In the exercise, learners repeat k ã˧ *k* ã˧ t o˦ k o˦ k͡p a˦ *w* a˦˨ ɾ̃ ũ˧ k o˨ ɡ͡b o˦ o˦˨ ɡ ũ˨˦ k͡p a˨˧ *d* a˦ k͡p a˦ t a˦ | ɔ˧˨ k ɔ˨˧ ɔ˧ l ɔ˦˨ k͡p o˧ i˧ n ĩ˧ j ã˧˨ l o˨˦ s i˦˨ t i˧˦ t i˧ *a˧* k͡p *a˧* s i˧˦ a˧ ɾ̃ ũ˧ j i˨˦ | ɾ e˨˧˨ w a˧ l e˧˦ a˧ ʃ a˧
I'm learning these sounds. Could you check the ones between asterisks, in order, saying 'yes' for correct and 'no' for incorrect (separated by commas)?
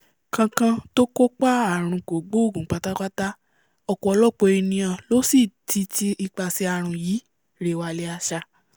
yes, no, no, no, yes